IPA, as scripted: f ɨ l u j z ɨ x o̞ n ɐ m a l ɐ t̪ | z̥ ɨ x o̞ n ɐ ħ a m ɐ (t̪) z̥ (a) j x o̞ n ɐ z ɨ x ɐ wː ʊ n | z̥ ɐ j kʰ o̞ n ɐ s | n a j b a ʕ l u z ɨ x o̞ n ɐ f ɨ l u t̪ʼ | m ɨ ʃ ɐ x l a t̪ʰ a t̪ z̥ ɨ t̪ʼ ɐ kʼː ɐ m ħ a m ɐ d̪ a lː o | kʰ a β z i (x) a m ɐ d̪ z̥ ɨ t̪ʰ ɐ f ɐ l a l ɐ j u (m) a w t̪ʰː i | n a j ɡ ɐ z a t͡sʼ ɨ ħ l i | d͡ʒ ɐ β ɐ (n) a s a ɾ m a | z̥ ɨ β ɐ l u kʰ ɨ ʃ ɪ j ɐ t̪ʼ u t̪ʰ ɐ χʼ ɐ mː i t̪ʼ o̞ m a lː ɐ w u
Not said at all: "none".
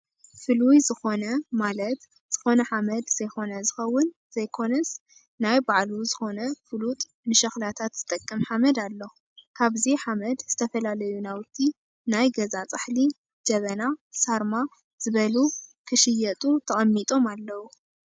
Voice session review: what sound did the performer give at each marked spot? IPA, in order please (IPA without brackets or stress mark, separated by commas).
d̪, ɐ, ħ, n, n